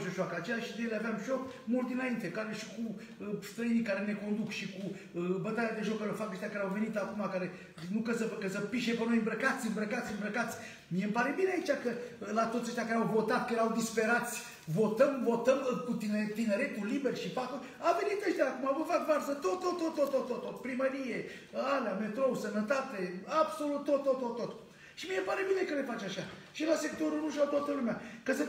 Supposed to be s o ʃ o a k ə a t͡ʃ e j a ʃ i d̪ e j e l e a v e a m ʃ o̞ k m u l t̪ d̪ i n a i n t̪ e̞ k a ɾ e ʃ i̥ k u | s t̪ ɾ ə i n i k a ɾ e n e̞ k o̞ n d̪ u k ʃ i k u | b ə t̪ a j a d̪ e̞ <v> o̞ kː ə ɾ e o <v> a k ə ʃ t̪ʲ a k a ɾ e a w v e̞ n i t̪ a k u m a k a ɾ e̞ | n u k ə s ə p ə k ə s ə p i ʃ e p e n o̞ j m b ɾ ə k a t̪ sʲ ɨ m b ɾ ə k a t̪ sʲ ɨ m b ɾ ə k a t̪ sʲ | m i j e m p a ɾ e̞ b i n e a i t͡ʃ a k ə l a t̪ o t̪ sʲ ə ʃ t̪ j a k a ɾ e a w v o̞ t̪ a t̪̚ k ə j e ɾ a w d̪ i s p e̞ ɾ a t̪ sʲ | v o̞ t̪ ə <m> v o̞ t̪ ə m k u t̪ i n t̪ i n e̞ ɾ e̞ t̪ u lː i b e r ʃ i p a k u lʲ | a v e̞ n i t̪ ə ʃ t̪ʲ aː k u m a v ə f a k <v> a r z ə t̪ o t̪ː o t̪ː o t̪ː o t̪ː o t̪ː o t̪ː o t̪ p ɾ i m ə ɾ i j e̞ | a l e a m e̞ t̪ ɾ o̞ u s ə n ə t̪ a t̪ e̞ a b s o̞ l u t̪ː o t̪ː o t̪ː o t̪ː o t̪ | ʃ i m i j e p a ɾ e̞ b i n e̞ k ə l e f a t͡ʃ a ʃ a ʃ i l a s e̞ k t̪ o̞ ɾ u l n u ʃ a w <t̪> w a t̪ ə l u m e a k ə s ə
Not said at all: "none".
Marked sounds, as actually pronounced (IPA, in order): ʒ, f, m, v, t̪

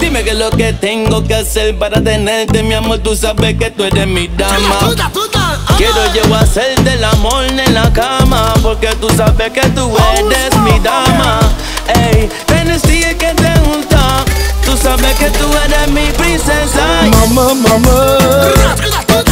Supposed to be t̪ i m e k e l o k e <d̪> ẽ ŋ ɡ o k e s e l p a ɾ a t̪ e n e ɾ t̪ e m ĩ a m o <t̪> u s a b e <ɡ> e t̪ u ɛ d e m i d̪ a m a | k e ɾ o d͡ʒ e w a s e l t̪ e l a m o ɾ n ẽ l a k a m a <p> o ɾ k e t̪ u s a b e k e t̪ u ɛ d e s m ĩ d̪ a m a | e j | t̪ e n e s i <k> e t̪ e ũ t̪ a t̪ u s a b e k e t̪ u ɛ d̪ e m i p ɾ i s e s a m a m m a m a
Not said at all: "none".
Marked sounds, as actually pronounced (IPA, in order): t̪, t̪, k, p, k

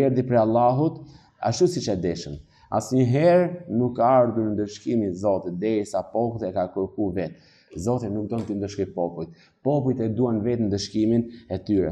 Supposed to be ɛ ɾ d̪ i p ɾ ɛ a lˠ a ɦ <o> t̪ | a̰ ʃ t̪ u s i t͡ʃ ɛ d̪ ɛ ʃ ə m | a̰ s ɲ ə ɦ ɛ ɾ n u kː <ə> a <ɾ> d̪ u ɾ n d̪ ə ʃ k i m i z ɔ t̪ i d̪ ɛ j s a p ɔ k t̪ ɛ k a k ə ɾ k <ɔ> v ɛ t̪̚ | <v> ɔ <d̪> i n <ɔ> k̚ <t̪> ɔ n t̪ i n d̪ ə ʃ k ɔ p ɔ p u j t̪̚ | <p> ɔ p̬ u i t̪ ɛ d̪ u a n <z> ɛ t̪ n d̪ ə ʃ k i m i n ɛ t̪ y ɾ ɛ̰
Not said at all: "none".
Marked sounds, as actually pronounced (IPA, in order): u, a, ɾ, u, z, t̪, u, d̪, p, v

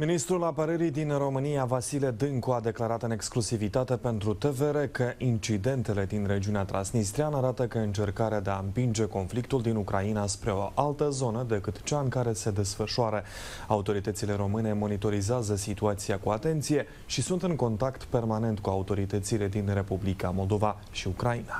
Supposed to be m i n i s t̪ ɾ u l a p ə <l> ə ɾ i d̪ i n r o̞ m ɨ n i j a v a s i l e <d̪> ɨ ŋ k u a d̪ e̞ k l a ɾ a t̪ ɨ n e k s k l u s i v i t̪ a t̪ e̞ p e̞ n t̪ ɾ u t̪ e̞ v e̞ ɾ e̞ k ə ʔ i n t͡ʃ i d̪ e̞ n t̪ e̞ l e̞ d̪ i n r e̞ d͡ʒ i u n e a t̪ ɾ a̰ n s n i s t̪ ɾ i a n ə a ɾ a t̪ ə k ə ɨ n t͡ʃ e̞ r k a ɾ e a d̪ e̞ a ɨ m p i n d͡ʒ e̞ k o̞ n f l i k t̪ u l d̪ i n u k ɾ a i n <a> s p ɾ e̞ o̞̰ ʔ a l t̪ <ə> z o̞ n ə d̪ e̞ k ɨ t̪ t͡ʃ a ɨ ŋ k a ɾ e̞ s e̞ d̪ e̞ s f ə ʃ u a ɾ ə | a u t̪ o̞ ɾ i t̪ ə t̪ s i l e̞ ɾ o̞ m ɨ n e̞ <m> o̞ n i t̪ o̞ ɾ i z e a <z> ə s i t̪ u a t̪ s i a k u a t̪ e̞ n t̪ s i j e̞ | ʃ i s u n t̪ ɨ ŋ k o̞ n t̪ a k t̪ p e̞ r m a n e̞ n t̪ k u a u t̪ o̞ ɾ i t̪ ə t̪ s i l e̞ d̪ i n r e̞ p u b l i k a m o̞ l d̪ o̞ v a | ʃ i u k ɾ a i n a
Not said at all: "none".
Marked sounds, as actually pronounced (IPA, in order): ɾ, d̪, a, ə, m, z

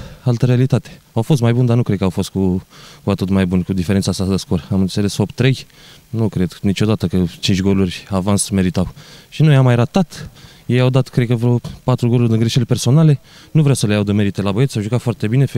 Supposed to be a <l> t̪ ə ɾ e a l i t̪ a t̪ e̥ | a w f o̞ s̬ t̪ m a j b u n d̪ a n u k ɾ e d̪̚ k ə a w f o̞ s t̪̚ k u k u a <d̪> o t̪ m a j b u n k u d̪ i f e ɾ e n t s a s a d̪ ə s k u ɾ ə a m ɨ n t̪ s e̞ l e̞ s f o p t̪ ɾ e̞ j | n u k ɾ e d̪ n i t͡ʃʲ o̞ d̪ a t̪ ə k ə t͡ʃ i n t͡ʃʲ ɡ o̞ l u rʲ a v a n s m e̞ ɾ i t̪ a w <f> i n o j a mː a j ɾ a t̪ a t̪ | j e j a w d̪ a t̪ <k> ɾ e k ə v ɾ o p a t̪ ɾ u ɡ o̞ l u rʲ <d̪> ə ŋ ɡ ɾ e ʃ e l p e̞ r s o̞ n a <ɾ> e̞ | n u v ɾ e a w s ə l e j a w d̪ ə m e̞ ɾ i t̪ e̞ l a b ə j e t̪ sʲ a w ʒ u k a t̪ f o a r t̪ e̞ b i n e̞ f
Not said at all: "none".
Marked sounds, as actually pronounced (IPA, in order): l, t̪, ʃ, k, d̪, l

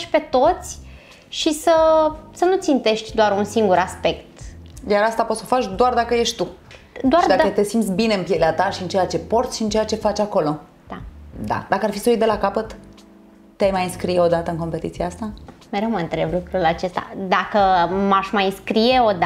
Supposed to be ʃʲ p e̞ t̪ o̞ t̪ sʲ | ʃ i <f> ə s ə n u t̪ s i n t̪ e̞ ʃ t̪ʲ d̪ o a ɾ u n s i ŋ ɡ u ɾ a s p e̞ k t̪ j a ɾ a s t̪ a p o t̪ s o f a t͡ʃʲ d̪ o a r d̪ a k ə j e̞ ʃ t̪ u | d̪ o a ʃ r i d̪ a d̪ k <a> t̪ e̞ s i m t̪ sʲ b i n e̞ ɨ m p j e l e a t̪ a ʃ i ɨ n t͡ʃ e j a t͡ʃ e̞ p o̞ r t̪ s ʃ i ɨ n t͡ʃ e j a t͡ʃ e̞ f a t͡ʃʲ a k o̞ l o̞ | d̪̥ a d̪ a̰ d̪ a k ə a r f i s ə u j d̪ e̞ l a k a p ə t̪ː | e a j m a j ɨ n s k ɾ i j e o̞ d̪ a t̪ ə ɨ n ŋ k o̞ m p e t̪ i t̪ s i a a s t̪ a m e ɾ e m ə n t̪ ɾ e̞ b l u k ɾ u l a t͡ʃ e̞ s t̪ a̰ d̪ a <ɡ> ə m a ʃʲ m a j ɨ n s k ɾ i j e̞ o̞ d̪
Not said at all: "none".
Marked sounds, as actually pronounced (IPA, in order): s, ə, k

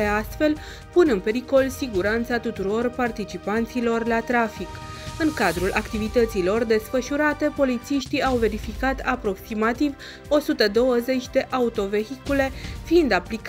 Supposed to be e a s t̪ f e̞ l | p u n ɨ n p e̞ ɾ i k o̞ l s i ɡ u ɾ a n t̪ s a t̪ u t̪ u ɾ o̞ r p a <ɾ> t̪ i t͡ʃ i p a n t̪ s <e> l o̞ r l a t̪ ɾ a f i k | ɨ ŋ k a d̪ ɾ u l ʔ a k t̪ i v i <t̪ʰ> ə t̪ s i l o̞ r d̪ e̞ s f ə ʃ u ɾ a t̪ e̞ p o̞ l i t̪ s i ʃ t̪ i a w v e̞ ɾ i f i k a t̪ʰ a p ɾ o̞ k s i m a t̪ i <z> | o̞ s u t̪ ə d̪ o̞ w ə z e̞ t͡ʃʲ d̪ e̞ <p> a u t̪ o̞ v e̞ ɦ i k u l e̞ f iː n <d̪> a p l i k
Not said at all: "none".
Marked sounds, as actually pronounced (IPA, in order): r, i, t̪, v, ʔ, d̪

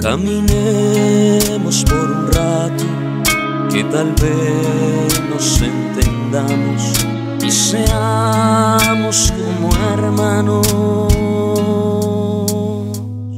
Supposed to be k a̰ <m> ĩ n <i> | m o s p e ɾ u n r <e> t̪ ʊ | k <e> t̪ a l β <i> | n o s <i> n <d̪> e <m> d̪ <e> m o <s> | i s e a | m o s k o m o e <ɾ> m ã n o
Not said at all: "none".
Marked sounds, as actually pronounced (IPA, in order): m, e, a, e, e, e, t̪, n, a, s, ɾ

